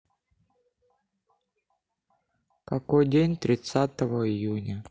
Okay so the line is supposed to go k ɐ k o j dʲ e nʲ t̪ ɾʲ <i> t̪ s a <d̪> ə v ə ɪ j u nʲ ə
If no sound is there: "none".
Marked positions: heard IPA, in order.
ɪ, t̪

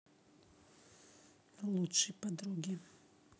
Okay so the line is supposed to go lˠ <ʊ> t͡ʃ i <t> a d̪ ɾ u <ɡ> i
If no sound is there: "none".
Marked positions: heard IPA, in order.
u, p, ɡ

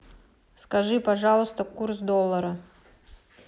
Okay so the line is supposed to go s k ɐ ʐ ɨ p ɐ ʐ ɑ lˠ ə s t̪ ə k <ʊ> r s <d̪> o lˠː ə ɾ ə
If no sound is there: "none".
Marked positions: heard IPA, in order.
u, d̪

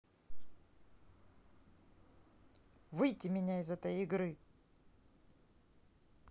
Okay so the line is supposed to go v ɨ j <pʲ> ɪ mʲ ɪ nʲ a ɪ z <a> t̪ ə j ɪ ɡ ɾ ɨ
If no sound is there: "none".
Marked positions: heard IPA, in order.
tʲ, ɛ

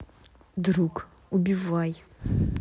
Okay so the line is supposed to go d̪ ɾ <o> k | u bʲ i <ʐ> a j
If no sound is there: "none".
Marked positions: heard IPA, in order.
u, v

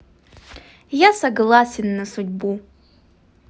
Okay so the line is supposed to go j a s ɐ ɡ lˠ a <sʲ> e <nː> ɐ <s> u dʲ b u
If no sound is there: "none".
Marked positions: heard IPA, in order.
sʲ, nː, s

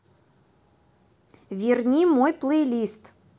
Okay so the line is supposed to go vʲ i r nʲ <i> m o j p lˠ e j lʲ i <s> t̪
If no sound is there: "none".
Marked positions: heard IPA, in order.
i, s

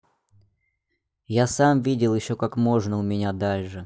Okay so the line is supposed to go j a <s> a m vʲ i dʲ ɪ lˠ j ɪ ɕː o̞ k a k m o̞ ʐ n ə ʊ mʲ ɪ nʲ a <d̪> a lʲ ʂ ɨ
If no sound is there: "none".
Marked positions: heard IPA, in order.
s, d̪

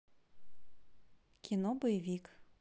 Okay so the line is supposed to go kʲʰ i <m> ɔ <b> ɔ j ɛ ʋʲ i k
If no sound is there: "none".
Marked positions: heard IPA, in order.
n, b

